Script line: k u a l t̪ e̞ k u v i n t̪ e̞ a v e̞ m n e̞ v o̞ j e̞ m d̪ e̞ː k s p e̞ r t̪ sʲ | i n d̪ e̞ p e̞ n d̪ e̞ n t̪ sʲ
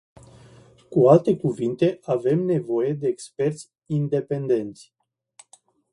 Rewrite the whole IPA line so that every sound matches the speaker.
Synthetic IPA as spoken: k u a l t̪ e̞ k u v i n t̪ e̞ a v e̞ m n e̞ v o̞ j e̞ d̪ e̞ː k s p e̞ r t̪ sʲ | i n d̪ e̞ p e̞ n d̪ e̞ n t̪ sʲ